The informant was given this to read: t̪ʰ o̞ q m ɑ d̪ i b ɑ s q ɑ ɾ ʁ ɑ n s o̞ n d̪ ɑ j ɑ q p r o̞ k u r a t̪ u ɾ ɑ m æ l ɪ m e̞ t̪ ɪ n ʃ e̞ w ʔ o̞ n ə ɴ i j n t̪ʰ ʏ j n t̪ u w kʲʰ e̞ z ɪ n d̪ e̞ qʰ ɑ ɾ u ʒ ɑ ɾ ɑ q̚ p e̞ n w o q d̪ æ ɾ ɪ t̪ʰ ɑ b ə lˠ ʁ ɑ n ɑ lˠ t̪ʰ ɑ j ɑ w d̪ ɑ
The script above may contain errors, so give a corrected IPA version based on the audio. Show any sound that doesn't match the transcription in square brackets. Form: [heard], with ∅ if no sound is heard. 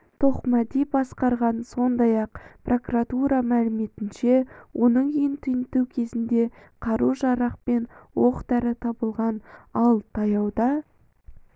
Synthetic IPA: t̪ʰ o̞ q m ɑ d̪ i b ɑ s q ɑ ɾ ʁ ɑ n s o̞ n d̪ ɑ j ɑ q p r o̞ k u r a t̪ u ɾ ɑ m æ l ɪ m e̞ t̪ ɪ n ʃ e̞ w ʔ o̞ n ə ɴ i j n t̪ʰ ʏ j n t̪ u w kʲʰ e̞ z ɪ n d̪ e̞ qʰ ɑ ɾ u ʒ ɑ ɾ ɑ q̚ p e̞ n w o q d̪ æ ɾ ɪ t̪ʰ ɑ b ə lˠ ʁ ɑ n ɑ lˠ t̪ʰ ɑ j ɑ w d̪ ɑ